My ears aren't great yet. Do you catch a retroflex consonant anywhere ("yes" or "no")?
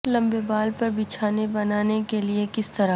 no